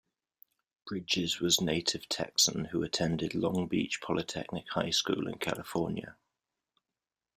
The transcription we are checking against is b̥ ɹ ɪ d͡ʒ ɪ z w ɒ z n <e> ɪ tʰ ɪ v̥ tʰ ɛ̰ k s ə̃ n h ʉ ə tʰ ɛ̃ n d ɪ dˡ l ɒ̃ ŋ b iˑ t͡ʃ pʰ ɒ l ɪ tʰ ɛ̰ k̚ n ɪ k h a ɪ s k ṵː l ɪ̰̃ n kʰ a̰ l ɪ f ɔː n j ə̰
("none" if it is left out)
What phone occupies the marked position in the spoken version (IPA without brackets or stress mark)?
e